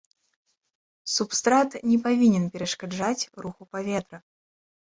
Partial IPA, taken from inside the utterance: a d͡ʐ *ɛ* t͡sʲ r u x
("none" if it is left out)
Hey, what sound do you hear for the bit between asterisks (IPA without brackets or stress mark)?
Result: a